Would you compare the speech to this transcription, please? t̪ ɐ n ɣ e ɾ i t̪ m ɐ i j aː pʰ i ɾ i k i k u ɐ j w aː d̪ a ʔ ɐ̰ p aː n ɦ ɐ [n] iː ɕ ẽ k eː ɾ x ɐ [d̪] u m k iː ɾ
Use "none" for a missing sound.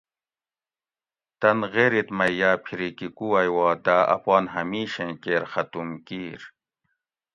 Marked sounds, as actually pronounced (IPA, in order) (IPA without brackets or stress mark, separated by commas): m, t̪